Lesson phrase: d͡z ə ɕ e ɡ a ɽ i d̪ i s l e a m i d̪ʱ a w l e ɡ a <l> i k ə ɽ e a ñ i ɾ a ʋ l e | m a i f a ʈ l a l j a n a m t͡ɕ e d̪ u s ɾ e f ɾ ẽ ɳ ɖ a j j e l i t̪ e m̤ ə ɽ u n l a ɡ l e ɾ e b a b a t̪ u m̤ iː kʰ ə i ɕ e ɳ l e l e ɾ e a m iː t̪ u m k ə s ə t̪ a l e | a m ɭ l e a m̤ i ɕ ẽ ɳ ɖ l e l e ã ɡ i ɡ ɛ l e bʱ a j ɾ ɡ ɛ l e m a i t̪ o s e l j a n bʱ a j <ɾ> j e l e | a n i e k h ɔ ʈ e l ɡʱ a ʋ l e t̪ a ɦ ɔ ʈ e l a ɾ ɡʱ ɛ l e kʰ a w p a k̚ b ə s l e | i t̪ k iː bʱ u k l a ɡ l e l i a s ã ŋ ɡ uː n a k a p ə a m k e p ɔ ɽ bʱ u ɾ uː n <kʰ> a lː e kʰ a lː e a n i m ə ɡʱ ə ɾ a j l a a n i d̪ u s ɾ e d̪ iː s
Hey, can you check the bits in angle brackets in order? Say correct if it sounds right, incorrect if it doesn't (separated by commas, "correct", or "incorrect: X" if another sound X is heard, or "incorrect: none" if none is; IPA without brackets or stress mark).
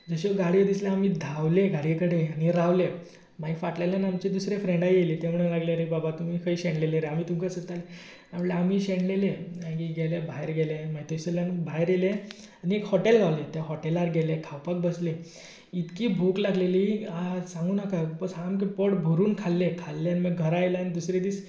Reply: incorrect: ɽ, correct, correct